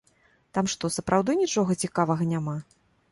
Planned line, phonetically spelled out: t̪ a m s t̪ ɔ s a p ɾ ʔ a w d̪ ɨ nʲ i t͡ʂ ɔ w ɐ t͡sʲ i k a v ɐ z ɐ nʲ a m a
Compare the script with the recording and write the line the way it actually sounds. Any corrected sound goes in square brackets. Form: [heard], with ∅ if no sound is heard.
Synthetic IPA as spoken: t̪ a m [ʂ] t̪ ɔ s [ɐ] p ɾ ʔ a w d̪ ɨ nʲ i t͡ʂ ɔ [ɣ] ɐ t͡sʲ i k a v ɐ [ɣ] ɐ nʲ a m a